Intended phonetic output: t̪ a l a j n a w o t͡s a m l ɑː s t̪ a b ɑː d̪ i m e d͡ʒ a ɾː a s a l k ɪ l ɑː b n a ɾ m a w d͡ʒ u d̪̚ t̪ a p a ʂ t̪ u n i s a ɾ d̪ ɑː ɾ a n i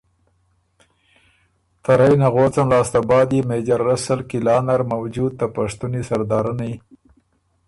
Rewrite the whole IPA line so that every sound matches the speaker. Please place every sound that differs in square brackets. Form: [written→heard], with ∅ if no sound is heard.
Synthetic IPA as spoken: t̪ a [l→ɾ] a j n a [w→ɣ] o t͡s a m l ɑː s t̪ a b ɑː d̪ i m e d͡ʒ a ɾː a s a l k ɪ l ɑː [b→∅] n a ɾ m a w d͡ʒ u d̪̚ t̪ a p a ʂ t̪ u n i s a ɾ d̪ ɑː ɾ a n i